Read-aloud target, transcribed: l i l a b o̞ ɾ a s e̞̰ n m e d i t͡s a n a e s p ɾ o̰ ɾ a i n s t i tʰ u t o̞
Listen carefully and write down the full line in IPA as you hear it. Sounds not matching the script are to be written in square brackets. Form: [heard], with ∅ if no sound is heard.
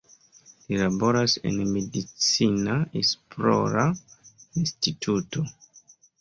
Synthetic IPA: l i l a b o̞ ɾ a s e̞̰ n m e d i t͡s [i] n a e s p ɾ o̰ ɾ a i n s t i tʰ u t o̞